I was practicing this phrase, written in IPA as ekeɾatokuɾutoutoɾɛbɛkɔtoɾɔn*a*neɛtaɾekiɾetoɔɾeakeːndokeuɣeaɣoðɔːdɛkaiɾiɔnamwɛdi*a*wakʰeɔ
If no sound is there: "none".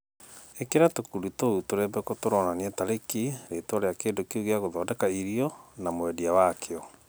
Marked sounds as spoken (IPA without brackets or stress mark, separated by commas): a, a